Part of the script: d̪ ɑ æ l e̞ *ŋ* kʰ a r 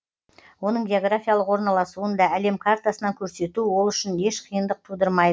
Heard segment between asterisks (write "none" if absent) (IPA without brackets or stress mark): m